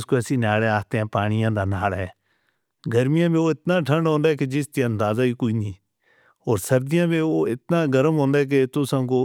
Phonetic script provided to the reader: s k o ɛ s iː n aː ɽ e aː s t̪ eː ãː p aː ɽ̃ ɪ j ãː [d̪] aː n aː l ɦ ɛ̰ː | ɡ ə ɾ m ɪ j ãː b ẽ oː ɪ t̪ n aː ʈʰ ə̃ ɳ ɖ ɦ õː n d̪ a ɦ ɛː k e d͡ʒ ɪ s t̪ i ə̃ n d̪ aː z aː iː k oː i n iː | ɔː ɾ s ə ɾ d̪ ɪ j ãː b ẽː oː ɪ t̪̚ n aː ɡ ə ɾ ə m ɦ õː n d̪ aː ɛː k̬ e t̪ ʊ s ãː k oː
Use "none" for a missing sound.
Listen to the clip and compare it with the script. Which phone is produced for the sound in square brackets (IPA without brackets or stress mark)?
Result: d̪